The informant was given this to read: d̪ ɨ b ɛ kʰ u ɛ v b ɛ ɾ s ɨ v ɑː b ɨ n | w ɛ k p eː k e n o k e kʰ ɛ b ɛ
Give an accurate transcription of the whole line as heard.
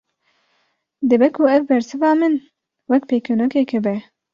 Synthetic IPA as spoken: d̪ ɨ b ɛ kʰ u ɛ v b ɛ ɾ s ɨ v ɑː m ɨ n | w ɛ k p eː k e n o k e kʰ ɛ b ɛ